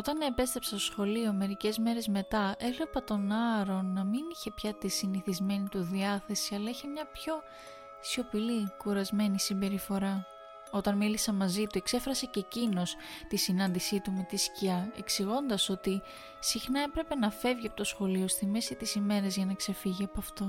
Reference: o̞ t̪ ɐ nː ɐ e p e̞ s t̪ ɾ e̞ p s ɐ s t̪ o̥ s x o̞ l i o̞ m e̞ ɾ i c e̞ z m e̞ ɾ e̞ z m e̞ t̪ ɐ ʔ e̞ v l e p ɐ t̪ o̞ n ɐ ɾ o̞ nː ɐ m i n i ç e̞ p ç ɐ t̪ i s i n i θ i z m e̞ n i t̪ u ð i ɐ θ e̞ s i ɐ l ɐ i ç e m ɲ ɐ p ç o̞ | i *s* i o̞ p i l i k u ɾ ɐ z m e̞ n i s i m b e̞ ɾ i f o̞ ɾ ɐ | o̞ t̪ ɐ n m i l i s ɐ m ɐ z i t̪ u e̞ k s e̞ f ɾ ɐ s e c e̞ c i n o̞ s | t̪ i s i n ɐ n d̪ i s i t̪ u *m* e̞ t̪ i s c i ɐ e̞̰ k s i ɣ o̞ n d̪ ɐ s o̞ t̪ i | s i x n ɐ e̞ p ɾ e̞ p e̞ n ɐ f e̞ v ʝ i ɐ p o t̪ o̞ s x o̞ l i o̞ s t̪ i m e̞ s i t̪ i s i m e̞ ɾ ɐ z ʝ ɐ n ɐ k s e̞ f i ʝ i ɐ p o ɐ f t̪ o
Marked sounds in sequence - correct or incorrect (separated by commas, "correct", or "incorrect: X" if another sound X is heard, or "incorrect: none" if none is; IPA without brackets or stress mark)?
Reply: correct, correct